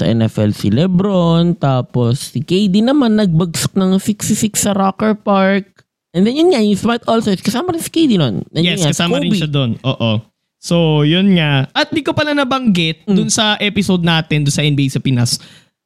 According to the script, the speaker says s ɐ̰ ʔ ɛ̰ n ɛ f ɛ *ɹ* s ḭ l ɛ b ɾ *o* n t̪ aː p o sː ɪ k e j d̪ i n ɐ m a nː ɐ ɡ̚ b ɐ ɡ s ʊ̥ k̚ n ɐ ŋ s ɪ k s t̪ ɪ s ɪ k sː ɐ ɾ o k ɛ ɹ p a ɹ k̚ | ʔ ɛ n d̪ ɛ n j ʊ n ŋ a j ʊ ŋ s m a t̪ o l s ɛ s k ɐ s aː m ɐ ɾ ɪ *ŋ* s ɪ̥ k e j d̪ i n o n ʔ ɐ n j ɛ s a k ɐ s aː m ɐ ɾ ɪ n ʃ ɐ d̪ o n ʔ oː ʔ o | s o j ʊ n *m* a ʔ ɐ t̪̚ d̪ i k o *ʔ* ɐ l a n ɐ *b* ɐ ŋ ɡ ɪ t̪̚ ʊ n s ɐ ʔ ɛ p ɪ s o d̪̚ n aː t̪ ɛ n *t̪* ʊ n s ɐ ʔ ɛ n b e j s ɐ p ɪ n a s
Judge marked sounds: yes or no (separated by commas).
no, yes, no, no, no, yes, no